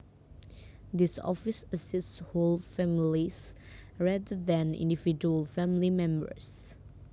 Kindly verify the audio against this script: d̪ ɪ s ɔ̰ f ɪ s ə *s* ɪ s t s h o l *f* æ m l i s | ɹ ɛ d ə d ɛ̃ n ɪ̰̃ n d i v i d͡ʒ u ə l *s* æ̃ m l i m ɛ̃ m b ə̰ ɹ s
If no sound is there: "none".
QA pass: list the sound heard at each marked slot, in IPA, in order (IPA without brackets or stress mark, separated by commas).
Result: s, f, f